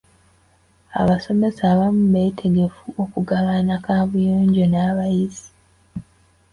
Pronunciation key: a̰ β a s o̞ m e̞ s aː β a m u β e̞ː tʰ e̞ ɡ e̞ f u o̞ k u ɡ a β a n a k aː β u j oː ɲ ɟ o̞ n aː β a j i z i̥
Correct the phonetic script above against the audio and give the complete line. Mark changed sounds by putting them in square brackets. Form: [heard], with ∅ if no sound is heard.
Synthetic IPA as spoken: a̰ β a s o̞ m e̞ s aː β a m u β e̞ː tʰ e̞ ɡ e̞ f u o̞ k u ɡ a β a n a k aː β u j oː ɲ ɟ o̞ n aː β a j i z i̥